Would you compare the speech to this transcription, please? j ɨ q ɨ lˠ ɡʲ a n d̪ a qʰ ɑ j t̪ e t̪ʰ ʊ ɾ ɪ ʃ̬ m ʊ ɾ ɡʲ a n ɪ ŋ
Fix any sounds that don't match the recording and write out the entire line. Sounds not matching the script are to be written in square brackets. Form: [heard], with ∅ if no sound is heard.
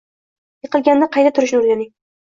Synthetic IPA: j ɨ q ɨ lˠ ɡʲ a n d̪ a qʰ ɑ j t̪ [a] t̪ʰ ʊ ɾ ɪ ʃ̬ [n] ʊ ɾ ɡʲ a n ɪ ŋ